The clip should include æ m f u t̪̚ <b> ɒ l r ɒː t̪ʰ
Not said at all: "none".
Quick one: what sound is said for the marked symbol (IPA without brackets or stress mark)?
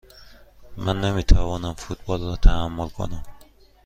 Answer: b